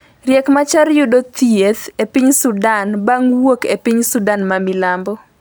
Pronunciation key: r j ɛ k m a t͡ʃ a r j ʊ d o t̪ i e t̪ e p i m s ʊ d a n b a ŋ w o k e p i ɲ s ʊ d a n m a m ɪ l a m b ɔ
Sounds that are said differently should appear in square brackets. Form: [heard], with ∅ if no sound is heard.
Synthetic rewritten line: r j ɛ k m a t͡ʃ a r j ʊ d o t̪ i e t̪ e p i [ɲ] s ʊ d a n b a ŋ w o k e p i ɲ s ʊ d a n m a m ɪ l a m b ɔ